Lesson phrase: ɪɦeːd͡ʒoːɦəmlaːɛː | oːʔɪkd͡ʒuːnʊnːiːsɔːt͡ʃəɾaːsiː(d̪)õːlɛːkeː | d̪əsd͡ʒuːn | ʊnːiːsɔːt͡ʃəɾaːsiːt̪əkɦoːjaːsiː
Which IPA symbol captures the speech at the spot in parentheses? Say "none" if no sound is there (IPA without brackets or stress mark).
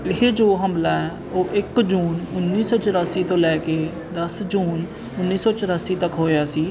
t̪